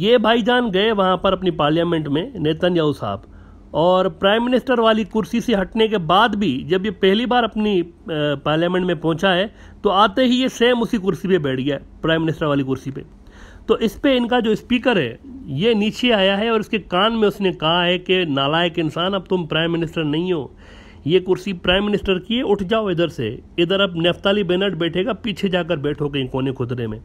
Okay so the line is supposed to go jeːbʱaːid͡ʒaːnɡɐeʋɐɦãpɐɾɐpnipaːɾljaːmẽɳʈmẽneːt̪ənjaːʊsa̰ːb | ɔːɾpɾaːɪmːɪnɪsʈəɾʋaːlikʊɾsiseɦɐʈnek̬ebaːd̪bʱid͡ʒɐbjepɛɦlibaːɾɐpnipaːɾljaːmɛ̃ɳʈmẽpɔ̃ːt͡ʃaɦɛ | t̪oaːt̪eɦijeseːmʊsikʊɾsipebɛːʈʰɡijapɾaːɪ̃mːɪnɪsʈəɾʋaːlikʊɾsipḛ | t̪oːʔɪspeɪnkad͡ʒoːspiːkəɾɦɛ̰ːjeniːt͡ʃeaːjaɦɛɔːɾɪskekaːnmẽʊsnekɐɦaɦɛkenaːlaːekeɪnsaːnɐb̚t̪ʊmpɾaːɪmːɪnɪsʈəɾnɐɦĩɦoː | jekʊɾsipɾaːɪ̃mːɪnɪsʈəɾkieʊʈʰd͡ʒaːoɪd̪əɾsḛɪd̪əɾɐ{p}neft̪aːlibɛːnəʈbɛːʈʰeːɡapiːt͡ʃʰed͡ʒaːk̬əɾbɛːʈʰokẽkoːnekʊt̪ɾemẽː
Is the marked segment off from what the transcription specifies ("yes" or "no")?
yes